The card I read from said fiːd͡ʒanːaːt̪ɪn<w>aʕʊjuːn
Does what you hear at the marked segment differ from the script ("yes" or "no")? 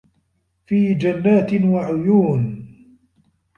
no